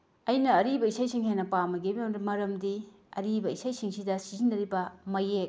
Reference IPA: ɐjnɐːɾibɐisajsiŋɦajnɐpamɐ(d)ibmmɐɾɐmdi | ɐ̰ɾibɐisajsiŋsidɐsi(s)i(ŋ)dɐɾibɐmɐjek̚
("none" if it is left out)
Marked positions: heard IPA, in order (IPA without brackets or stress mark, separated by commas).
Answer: ɡ, z, n